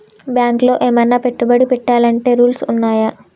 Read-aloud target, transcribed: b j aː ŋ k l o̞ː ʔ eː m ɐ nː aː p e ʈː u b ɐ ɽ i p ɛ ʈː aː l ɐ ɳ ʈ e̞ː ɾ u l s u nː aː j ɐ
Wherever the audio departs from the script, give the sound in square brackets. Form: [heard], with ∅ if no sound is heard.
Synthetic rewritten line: b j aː ŋ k l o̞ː ʔ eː m ɐ nː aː p e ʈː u b ɐ ɽ i p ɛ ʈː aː l ɐ ɳ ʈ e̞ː ɾ [uː] l s u nː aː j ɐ